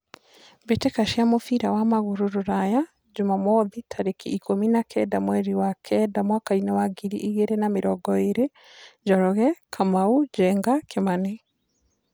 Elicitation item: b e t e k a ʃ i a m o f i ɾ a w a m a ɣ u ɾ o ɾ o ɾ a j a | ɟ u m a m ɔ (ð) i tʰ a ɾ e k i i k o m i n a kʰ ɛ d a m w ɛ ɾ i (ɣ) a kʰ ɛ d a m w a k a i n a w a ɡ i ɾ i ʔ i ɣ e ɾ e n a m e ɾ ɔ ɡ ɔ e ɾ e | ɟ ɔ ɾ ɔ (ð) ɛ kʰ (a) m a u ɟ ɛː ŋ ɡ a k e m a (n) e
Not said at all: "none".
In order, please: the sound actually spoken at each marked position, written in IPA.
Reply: ð, w, ɣ, a, n

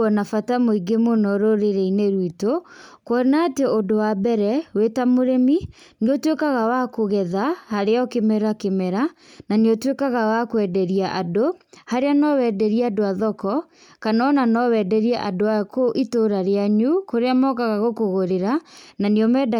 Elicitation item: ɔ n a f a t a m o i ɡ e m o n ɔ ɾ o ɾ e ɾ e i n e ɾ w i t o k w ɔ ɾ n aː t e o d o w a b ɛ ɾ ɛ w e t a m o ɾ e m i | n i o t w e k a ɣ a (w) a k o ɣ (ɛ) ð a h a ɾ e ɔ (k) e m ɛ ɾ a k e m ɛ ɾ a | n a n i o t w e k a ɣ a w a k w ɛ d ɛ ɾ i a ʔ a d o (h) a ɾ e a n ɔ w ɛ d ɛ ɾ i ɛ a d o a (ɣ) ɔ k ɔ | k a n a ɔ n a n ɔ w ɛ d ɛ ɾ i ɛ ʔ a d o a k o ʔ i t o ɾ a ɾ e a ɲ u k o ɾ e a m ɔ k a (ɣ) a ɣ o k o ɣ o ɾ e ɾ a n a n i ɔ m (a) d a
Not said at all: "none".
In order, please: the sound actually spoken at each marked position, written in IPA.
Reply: w, ɛ, k, h, ð, ɣ, ɛ

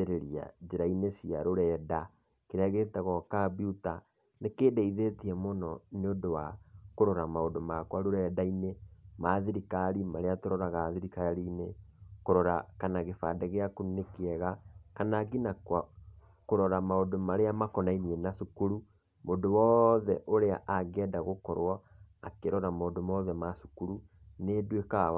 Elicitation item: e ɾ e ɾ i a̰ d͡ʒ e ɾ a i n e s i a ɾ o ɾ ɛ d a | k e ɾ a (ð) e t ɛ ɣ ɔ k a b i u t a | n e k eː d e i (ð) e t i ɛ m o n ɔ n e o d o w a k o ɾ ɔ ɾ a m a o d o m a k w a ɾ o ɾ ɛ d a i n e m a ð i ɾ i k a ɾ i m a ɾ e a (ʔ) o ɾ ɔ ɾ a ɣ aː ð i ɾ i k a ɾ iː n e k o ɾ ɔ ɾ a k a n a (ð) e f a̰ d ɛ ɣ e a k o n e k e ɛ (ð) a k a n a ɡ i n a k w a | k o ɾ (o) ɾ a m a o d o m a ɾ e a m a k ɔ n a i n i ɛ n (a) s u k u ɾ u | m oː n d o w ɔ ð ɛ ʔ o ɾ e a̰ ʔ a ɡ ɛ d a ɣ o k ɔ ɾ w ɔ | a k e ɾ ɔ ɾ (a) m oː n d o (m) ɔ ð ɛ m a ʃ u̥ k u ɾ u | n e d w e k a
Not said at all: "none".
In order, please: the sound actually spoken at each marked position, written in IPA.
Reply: ɣ, ð, t, ɣ, ɣ, ɔ, a, a, m

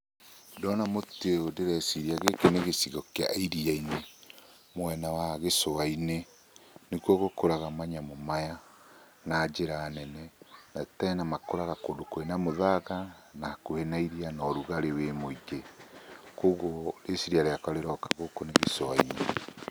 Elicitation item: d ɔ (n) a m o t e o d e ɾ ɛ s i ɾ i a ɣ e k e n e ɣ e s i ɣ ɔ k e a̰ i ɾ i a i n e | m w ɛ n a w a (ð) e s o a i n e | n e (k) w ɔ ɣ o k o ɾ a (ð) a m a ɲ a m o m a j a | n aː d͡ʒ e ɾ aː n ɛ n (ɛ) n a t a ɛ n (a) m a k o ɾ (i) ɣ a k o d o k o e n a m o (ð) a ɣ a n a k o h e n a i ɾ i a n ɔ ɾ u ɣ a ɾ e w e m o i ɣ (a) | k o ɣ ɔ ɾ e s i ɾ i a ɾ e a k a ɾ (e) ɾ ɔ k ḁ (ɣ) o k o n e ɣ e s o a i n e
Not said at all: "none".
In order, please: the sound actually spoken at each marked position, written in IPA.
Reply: n, ɣ, k, ɣ, ɛ, a, a, ð, e, e, ɣ

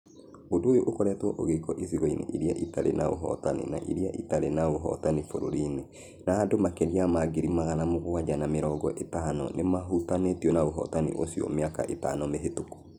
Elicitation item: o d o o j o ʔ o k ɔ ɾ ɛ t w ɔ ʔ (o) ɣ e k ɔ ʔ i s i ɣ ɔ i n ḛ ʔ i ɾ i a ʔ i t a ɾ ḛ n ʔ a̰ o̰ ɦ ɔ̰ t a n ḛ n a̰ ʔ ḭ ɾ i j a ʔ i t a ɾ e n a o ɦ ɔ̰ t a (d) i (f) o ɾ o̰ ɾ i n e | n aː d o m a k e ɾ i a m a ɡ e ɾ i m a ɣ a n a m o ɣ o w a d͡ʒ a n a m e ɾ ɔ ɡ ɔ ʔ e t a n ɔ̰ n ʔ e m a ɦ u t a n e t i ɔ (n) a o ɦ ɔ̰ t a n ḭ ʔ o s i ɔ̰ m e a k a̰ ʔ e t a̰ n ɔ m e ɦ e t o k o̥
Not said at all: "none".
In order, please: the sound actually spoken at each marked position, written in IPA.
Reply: o, n, f, n

